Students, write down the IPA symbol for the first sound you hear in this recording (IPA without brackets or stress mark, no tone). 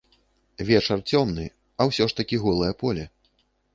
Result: vʲ